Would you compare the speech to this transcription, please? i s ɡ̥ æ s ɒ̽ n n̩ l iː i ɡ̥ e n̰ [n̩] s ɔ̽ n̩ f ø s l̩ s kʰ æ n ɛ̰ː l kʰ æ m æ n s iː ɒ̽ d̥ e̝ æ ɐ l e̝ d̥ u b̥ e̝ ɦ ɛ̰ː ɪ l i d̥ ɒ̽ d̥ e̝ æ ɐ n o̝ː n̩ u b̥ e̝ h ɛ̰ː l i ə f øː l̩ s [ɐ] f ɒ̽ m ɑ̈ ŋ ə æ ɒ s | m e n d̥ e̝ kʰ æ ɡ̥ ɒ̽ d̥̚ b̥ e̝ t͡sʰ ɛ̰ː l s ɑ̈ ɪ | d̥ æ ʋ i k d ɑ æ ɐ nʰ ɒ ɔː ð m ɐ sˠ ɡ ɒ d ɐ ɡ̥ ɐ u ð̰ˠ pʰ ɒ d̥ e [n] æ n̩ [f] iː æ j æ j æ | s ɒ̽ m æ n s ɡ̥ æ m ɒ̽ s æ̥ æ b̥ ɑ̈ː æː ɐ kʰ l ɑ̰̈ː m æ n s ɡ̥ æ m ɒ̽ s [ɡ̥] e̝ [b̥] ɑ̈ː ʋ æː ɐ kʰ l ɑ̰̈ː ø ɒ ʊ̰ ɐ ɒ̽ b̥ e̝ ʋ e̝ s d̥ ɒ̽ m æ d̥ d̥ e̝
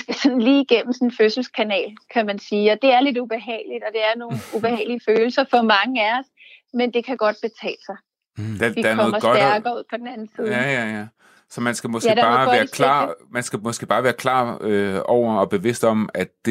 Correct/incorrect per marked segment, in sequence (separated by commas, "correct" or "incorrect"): incorrect, correct, correct, incorrect, correct, correct